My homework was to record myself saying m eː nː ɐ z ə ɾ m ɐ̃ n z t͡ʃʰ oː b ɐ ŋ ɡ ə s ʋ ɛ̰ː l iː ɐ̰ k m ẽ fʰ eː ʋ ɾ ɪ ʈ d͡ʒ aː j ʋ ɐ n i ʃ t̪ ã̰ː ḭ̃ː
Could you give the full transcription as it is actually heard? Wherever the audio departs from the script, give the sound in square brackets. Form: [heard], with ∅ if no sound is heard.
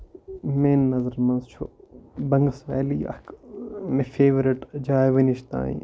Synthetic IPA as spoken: m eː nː ɐ z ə ɾ m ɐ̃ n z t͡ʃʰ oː b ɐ ŋ ɡ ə s ʋ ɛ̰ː l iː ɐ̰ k m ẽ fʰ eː ʋ ɾ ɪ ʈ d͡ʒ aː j ʋ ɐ n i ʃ t̪ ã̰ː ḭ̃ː